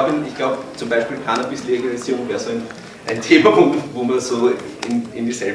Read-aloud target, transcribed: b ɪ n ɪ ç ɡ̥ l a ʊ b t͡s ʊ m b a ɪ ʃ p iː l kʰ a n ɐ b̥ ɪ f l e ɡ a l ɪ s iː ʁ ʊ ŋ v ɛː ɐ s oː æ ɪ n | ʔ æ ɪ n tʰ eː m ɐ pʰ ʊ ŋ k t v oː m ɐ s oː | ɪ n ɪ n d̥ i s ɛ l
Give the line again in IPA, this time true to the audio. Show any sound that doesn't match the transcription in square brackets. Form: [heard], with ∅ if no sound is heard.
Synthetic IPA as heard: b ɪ n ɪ ç ɡ̥ l a ʊ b t͡s ʊ m b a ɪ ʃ p iː l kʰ a n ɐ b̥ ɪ [s] l e ɡ a l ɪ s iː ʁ ʊ ŋ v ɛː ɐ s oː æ ɪ n | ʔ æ ɪ n tʰ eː m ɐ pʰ ʊ ŋ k t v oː m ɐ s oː | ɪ n ɪ n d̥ i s ɛ l